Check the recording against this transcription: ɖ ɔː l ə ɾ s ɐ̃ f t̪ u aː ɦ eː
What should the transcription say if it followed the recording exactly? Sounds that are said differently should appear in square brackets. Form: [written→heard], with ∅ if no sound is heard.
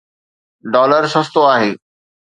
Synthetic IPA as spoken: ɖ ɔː l ə ɾ s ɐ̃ [f→s] t̪ [u→o] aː ɦ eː